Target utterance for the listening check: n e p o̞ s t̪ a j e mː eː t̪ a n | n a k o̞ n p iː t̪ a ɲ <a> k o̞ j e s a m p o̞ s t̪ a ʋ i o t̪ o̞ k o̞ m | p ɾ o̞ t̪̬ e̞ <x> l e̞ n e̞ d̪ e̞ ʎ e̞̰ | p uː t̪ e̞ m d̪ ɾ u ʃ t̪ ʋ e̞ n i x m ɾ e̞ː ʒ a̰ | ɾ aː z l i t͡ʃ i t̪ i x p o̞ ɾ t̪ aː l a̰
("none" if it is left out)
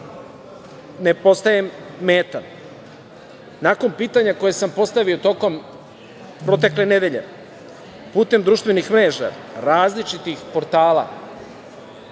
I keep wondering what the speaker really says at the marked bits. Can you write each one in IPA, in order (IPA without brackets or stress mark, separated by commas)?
a, k